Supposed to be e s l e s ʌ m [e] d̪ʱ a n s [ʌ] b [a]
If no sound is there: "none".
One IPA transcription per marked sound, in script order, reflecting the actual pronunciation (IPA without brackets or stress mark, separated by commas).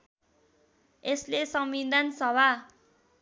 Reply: i, ʌ, a